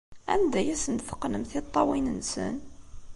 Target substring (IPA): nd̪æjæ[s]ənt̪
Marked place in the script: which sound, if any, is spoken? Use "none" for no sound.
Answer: s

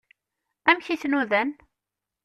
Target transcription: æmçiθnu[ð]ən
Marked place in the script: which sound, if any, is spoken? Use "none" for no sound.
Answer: ð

